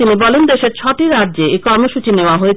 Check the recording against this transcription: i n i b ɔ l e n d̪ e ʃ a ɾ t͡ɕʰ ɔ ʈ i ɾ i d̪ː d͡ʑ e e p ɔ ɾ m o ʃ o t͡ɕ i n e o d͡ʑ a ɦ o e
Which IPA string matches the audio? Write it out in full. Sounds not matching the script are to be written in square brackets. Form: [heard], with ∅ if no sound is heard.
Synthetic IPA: i n i b ɔ l e n d̪ e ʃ [e] ɾ t͡ɕʰ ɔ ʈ i ɾ [a] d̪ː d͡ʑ e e [k] ɔ ɾ m o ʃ [u] t͡ɕ i n e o [∅] a ɦ o e